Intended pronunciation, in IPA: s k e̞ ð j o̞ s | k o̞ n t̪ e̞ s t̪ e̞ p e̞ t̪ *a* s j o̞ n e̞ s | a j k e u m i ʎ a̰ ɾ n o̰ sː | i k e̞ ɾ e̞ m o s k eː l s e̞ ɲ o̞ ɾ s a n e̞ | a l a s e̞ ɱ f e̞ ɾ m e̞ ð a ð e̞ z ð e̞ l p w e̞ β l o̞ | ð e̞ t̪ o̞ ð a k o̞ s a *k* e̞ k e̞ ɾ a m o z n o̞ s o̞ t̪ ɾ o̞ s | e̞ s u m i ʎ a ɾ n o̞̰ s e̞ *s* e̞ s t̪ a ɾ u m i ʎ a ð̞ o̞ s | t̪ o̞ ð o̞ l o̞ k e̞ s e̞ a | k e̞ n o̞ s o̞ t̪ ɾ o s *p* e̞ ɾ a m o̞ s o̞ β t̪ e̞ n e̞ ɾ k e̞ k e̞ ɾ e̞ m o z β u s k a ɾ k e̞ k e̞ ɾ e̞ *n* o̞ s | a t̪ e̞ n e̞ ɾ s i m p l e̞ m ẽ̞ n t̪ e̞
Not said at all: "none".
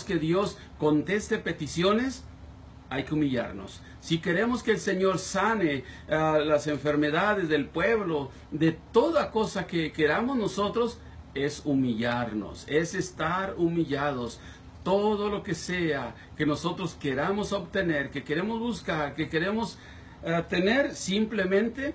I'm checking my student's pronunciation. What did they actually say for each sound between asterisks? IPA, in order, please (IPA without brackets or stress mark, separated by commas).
i, k, s, k, m